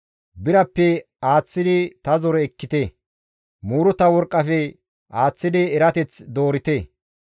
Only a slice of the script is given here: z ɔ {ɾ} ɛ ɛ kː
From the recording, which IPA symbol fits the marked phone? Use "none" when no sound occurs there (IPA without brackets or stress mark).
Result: ɾ